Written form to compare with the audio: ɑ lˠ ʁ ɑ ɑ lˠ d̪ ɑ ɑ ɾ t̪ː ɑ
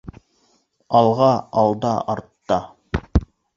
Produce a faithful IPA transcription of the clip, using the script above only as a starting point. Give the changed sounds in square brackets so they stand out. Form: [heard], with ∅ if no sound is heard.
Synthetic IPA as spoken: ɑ lˠ ʁ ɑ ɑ lˠ d̪ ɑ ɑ ɾ t̪ː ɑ